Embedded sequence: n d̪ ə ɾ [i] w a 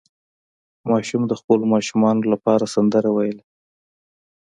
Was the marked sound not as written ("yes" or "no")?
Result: yes